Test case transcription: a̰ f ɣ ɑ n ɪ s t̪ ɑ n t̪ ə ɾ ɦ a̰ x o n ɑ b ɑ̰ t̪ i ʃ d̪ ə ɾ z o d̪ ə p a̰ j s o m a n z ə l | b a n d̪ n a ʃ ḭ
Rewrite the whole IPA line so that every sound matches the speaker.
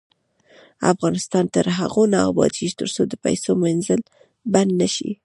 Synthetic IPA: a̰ f ɣ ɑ n ɪ s t̪ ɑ n t̪ ə ɾ ɦ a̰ ɣ o n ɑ b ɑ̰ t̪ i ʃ t̪ ə ɾ s o d̪ ə p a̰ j s o m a n z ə l | b a n d̪ n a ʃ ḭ